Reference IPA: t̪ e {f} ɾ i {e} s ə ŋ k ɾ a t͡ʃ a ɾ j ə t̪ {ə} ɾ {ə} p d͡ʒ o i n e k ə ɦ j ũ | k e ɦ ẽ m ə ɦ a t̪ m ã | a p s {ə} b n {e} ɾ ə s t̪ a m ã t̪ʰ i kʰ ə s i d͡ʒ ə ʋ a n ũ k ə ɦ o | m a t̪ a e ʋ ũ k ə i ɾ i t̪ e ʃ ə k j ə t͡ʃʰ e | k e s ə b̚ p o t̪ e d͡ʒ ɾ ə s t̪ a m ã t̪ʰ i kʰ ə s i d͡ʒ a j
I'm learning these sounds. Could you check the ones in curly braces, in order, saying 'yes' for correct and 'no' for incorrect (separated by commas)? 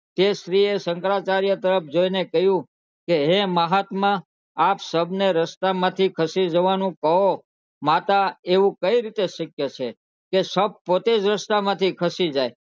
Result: no, yes, yes, yes, yes, yes